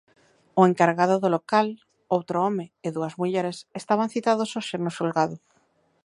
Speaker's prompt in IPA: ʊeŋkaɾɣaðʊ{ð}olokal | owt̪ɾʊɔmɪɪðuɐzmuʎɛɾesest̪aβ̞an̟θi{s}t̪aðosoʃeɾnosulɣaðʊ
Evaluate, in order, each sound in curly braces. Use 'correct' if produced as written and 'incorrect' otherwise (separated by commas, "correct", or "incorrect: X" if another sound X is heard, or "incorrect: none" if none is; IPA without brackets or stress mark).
correct, incorrect: none